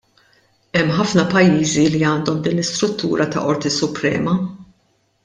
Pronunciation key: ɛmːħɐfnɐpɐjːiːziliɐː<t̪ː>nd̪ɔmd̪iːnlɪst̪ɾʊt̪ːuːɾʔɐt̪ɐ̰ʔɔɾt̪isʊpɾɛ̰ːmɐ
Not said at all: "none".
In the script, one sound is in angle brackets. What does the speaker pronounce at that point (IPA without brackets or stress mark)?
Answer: none